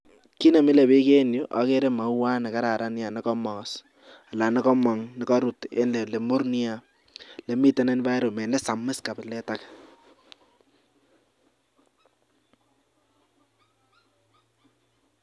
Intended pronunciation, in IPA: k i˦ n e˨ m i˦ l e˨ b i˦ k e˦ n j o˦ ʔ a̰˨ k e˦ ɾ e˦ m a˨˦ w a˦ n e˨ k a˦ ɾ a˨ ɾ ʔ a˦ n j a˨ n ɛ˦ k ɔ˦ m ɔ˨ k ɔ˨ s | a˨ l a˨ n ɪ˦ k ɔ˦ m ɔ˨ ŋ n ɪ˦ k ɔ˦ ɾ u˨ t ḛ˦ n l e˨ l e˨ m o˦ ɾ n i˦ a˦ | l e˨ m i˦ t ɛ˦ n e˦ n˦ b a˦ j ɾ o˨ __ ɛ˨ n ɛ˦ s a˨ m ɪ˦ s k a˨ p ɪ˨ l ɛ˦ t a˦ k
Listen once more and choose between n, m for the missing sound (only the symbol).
m